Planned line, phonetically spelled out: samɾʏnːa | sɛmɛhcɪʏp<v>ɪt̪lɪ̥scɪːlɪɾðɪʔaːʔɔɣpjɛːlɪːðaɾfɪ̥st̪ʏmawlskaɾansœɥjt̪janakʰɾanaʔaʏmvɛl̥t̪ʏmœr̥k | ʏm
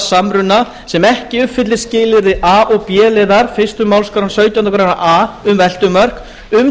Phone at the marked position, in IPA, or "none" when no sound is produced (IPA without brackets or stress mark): f